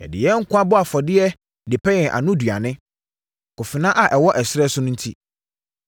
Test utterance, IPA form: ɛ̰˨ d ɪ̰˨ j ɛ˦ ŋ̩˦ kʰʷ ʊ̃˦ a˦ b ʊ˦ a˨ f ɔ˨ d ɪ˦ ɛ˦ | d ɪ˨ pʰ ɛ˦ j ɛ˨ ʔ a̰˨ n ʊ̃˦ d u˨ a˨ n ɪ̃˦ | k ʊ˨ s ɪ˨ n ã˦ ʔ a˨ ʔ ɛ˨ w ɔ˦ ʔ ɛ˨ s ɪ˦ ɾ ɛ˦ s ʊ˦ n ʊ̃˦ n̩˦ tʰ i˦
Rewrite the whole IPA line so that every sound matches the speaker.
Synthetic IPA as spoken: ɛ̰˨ d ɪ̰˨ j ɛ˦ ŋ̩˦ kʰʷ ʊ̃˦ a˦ b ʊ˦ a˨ f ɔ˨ d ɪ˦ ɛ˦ | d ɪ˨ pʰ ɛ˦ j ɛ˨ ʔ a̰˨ n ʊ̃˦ d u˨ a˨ n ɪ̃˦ | k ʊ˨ f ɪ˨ n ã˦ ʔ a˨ ʔ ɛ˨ w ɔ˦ ʔ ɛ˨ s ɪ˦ ɾ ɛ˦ s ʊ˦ n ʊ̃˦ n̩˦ tʰ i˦